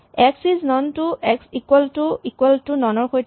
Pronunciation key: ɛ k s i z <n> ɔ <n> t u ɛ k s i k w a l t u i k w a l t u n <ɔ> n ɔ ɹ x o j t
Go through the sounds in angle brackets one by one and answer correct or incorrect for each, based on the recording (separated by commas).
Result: correct, correct, correct